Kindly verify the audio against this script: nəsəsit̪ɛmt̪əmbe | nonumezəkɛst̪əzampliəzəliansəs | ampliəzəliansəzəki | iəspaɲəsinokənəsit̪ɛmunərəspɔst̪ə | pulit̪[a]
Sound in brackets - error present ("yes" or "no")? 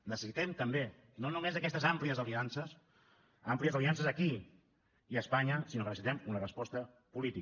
yes